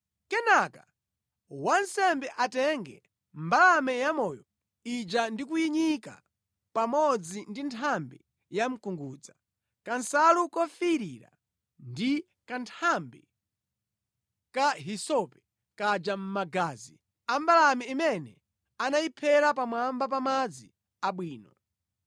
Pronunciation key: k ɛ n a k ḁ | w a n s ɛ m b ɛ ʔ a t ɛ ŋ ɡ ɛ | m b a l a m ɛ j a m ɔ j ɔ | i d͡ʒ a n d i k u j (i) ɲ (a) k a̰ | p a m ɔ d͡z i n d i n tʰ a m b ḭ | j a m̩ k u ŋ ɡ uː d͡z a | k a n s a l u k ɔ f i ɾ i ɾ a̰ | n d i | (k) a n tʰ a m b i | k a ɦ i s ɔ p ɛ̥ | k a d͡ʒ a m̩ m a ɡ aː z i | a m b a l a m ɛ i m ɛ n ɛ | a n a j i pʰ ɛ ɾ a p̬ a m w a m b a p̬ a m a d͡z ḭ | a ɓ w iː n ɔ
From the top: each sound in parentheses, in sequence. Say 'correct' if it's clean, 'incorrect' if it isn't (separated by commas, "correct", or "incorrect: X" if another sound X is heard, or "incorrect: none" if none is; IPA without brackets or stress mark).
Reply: correct, incorrect: i, correct